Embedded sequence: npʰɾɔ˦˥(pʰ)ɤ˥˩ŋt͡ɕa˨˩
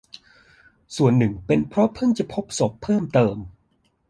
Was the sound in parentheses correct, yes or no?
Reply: yes